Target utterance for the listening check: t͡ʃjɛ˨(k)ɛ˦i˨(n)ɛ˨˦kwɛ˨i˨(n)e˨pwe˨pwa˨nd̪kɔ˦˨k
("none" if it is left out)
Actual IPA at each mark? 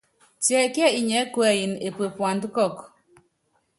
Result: k, ɲ, n

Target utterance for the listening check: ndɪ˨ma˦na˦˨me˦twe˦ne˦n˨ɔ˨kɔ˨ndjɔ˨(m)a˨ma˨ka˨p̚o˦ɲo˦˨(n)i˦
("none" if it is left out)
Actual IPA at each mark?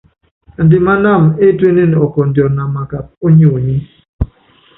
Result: n, ɲ

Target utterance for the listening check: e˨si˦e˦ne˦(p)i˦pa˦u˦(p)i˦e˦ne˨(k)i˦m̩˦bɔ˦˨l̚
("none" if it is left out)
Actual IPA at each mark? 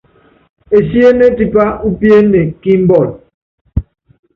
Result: t, p, k

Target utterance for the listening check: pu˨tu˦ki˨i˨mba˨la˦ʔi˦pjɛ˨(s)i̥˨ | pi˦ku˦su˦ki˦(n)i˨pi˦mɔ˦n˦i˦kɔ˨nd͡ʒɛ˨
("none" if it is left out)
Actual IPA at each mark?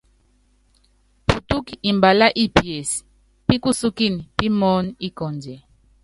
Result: s, n

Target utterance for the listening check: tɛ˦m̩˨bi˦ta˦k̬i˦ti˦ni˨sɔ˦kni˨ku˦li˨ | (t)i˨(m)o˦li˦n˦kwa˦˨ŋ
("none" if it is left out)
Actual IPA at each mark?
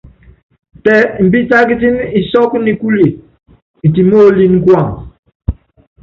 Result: t, m

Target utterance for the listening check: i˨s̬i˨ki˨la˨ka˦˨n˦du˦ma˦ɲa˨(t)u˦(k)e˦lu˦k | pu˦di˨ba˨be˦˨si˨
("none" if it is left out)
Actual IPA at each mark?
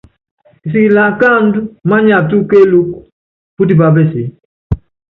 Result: t, k

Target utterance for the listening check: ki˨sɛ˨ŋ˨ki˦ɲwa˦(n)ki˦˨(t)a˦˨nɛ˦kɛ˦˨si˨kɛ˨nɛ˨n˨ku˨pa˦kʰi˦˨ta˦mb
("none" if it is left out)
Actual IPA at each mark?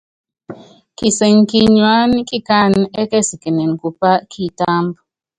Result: n, k

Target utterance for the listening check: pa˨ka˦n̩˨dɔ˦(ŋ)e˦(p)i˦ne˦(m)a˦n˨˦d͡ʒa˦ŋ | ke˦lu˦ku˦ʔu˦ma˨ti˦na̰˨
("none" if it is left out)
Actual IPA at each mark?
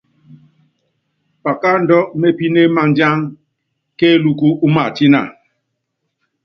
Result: m, p, m

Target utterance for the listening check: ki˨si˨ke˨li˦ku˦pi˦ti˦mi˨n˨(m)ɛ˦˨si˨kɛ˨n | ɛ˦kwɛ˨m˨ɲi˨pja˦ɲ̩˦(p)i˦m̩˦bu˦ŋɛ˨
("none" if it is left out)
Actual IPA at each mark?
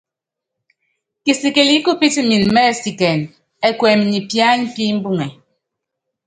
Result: m, p

